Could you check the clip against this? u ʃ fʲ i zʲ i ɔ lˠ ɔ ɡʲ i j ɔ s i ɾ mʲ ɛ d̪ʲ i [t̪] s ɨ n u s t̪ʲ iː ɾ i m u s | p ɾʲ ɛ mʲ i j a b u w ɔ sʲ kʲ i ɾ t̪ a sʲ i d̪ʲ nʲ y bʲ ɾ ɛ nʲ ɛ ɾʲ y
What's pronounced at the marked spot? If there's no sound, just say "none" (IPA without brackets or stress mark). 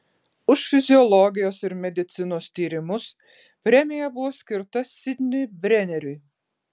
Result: t̪